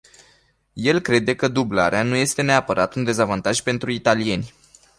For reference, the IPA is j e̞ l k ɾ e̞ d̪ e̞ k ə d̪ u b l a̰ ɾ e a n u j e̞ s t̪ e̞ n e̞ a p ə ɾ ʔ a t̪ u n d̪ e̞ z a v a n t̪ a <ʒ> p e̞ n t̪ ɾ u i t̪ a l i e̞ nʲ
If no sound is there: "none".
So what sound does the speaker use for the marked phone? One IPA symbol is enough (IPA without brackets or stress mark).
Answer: ʒ